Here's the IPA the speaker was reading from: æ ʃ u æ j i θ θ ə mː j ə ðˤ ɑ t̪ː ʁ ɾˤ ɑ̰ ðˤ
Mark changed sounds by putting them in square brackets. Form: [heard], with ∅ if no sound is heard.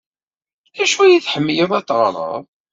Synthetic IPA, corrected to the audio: æ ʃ u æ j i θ [ħ] ə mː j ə ðˤ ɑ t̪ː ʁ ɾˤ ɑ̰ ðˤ